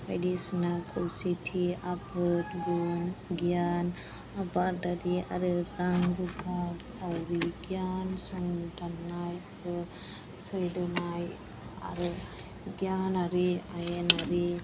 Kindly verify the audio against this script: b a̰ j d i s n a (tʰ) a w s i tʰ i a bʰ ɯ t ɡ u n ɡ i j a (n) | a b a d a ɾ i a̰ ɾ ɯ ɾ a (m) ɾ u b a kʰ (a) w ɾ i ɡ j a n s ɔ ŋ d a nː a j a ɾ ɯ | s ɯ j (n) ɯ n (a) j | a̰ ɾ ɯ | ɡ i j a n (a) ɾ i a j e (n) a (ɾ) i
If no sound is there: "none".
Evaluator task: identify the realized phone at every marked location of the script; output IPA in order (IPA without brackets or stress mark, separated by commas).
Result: kʰ, n, ŋ, a, d, a, a, n, ɾ